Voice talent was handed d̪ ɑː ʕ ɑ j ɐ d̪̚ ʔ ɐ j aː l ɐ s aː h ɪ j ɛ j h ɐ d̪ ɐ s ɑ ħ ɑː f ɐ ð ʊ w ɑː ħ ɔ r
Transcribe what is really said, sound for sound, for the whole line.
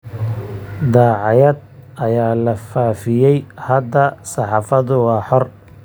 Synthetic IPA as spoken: d̪ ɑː ʕ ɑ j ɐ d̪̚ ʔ ɐ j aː l ɐ f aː f ɪ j ɛ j h ɐ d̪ ɐ s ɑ ħ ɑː f ɐ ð ʊ w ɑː ħ ɔ r